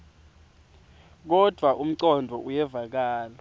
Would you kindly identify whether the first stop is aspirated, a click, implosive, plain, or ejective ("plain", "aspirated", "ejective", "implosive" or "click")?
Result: plain